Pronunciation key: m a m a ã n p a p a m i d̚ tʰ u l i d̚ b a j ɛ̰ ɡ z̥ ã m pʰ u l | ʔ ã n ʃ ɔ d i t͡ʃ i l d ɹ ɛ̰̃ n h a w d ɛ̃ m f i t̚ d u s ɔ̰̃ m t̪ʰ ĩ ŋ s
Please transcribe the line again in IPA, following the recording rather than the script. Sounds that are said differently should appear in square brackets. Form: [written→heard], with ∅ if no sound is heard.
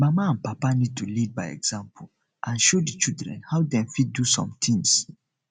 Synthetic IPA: m a m a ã n p a p a [m→n] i d̚ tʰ u l i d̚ b a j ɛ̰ ɡ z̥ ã m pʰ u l | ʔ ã n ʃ [ɔ→o] d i t͡ʃ i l d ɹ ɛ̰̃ n h a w d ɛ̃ m f i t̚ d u s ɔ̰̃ m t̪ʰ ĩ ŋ s